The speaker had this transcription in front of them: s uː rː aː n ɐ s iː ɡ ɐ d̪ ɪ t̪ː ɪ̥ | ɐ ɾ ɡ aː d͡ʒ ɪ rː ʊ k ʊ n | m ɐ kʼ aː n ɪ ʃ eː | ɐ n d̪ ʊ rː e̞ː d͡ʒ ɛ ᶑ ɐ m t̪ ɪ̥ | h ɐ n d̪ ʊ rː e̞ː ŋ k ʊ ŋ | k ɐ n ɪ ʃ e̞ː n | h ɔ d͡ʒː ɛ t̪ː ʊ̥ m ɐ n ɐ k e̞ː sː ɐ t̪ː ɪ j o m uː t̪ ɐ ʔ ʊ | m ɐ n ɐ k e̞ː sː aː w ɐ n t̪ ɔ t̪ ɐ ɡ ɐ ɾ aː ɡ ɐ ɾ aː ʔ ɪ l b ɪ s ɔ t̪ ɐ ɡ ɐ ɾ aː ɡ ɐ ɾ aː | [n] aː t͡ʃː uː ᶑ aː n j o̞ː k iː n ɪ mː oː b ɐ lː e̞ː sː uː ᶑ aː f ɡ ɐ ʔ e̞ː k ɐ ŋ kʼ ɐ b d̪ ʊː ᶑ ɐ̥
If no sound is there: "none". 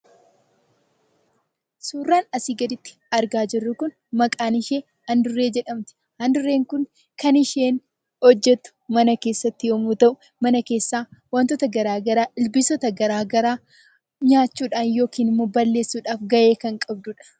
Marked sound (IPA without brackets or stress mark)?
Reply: ɲ